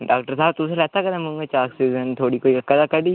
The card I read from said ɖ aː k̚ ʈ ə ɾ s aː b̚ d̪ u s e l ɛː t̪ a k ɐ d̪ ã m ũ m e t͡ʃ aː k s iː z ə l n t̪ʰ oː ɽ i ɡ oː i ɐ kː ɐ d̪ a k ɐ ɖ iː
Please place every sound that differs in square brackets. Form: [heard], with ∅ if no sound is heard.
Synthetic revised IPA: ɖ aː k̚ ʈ ə ɾ s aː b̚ [t̪] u s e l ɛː t̪ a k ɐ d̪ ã m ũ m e t͡ʃ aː k s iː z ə [∅] n t̪ʰ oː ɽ i [k] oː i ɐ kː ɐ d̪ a k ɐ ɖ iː